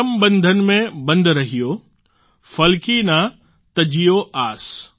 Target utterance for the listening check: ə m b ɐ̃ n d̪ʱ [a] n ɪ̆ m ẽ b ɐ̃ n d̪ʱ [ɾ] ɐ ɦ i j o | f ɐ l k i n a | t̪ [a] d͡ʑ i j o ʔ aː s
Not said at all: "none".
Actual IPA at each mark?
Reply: ə, ɾ, ɐ

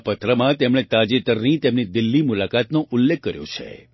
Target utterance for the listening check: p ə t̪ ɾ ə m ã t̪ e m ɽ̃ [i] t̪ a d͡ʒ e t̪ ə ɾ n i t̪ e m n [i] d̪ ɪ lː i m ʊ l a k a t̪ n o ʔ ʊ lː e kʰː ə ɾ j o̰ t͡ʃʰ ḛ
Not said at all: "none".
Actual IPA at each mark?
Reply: e, i

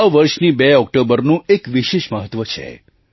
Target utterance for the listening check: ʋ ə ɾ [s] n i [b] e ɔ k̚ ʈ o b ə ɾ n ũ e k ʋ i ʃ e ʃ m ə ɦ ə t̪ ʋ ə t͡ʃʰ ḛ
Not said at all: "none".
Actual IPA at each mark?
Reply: ʃ, b

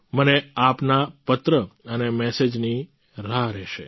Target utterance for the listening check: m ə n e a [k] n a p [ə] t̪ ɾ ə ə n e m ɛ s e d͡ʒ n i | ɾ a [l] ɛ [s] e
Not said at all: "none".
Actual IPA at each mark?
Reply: p, ə, ɾ, ʃ

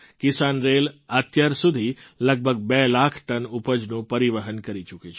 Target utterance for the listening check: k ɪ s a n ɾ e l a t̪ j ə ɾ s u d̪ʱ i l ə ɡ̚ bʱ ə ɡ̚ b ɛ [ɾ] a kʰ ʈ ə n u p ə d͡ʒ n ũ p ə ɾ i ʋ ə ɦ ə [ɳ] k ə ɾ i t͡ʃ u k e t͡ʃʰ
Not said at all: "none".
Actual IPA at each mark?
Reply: l, n

